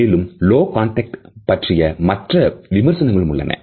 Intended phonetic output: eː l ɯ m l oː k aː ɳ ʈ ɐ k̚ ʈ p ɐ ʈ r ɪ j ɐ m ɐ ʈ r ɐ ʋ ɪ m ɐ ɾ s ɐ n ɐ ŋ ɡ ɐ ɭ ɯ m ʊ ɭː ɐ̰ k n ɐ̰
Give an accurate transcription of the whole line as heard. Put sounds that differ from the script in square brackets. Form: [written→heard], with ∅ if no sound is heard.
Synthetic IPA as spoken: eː l ɯ m l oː k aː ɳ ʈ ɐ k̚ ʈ p ɐ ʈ r ɪ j ɐ m ɐ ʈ r ɐ ʋ ɪ m ɐ ɾ s ɐ n ɐ ŋ ɡ ɐ ɭ ɯ m ʊ ɭː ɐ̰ [k→∅] n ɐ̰